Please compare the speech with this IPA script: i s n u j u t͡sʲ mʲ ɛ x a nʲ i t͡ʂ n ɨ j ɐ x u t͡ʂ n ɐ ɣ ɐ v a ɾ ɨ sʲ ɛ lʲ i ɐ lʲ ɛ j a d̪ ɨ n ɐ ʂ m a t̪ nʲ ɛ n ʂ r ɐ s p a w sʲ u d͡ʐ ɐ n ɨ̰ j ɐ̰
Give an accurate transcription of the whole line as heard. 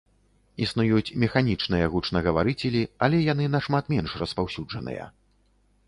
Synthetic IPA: i s n u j u t͡sʲ mʲ ɛ x a nʲ i t͡ʂ n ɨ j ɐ ɣ u t͡ʂ n ɐ ɣ ɐ v a ɾ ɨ t͡sʲ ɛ lʲ i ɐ lʲ ɛ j a n̪ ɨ n ɐ ʂ m a t̪ mʲ ɛ n ʂ r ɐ s p a w sʲ u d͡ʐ ɐ n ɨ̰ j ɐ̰